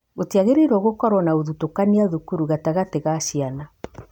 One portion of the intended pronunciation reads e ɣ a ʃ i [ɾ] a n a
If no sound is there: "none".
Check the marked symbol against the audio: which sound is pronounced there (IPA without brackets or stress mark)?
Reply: none